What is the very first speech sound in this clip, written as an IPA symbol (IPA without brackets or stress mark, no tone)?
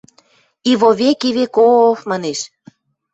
i